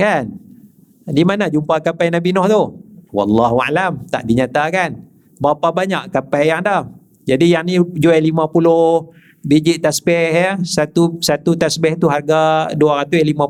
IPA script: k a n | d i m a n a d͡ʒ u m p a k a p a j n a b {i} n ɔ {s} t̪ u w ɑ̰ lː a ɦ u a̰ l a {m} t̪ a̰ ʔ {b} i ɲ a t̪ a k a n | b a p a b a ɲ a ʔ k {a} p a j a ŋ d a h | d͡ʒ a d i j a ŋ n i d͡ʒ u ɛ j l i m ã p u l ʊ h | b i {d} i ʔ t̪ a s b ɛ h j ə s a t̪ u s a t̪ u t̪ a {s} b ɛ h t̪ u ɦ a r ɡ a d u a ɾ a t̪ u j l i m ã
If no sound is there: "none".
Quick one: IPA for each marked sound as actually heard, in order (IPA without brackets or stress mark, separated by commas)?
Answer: i, h, m, d, a, d͡ʒ, s